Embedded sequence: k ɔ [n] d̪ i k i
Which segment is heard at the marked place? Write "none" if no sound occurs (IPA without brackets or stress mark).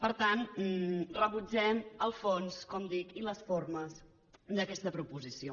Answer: m